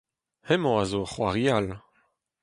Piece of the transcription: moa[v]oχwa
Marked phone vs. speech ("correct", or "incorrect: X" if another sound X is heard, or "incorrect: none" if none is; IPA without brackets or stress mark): incorrect: z